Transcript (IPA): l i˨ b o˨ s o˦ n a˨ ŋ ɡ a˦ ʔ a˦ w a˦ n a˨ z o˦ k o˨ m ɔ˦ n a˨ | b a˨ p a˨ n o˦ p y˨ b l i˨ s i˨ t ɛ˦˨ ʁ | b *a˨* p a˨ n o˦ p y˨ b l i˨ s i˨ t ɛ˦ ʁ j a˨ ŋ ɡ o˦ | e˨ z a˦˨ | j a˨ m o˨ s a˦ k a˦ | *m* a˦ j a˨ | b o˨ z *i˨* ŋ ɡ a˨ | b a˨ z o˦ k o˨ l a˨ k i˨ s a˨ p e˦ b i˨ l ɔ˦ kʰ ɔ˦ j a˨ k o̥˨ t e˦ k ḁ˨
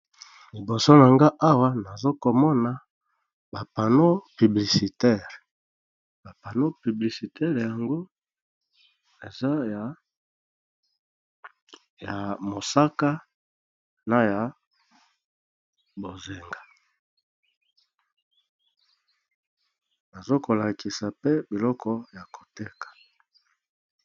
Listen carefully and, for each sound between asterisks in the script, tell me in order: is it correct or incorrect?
correct, incorrect: n, incorrect: e˨

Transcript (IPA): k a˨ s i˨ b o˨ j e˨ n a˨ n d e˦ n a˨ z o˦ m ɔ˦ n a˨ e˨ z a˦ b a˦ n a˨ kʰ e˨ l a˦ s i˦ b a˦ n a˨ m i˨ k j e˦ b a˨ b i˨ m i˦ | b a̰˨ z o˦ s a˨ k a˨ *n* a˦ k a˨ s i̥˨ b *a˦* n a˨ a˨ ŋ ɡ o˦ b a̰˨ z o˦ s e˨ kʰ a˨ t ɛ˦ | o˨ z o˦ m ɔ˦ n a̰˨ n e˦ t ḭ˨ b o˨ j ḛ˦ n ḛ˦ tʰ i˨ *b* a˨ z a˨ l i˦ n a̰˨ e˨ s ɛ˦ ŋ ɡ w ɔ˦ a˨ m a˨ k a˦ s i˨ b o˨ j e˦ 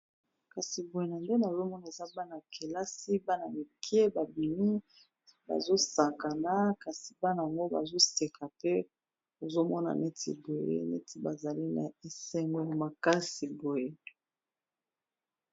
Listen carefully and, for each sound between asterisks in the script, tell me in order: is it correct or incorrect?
correct, correct, correct

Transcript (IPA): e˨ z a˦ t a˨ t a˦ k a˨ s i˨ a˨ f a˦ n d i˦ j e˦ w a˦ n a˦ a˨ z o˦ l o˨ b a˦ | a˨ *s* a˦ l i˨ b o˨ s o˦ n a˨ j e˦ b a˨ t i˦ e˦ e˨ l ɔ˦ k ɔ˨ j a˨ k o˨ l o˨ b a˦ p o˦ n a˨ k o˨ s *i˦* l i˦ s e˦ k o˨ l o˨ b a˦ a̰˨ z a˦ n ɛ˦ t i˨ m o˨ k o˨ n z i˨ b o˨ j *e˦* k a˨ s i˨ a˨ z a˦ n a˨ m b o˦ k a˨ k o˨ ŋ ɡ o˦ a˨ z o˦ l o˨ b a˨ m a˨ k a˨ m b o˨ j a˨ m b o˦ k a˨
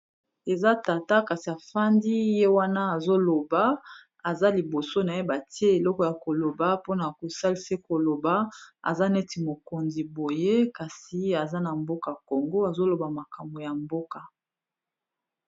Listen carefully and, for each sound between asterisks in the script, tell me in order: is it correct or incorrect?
incorrect: z, incorrect: a˦, correct

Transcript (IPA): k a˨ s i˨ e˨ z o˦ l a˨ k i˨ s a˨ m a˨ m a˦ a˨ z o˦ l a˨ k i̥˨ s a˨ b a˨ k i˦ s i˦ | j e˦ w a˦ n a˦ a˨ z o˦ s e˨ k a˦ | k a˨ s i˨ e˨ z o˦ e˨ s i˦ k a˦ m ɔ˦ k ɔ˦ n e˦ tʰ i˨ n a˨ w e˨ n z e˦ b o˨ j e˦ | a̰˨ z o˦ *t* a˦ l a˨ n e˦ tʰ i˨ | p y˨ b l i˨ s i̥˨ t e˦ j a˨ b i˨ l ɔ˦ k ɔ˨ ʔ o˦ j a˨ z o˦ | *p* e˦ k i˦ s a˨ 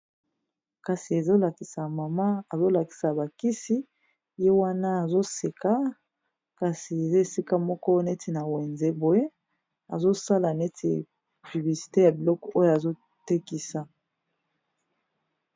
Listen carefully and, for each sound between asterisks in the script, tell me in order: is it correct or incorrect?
incorrect: s, incorrect: t

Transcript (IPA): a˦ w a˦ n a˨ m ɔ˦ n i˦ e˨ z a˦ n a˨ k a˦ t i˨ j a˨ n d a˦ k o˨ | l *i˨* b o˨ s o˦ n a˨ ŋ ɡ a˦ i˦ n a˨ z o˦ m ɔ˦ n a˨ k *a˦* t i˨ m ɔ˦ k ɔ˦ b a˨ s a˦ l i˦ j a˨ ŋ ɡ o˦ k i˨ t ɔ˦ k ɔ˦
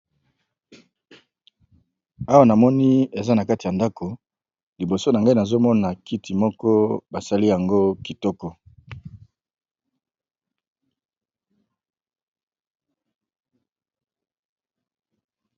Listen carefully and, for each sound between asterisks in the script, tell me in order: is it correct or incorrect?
correct, incorrect: i˦

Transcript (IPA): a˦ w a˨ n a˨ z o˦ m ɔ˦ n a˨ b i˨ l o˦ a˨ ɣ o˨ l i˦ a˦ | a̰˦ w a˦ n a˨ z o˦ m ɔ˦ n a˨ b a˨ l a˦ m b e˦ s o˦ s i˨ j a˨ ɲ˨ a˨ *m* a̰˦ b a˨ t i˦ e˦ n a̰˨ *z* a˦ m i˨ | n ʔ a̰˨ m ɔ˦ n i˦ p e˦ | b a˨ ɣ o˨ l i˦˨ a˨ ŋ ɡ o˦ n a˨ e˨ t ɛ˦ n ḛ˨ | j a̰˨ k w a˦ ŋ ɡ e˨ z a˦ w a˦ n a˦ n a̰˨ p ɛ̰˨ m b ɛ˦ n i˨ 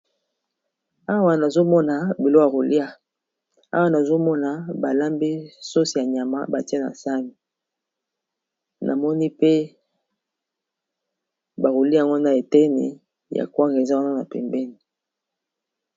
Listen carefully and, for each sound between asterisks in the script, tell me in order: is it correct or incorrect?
correct, incorrect: s

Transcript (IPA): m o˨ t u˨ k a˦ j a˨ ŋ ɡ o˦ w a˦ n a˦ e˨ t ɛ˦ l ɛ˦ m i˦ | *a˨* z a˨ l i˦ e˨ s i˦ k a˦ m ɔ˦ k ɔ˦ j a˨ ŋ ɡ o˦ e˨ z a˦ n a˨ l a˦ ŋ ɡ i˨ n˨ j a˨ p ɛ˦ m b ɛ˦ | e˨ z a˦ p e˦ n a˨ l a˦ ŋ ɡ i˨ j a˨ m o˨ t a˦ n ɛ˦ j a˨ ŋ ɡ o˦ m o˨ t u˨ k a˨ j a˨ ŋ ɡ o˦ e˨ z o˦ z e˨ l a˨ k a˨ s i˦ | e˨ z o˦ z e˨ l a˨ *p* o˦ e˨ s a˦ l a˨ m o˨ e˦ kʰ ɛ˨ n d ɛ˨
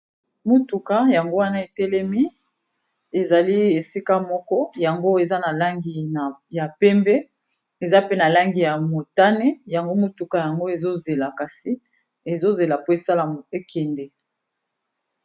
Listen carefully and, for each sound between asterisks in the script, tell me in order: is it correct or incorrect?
incorrect: e˨, correct

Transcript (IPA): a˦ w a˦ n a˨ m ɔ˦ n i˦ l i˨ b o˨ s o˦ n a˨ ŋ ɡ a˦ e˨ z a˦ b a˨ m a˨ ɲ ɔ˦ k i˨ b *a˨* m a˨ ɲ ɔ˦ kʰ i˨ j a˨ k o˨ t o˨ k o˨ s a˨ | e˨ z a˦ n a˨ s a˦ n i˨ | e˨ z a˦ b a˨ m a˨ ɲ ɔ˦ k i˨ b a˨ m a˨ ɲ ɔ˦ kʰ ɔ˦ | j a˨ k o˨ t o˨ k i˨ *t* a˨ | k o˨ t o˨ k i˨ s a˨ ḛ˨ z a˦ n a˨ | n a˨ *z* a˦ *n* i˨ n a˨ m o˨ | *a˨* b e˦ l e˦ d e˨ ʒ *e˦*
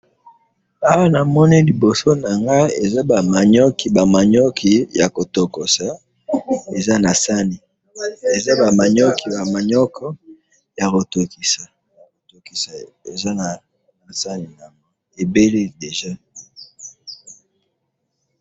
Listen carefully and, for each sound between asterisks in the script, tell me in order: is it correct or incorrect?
correct, incorrect: s, incorrect: s, correct, incorrect: e˨, incorrect: a˦

